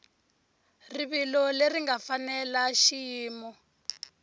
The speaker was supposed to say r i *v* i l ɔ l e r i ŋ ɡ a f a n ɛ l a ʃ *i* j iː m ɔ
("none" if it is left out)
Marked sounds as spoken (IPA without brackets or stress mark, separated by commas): β, i